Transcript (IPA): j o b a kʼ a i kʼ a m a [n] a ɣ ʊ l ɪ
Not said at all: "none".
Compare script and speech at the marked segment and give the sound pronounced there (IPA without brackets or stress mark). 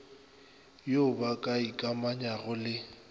ɲ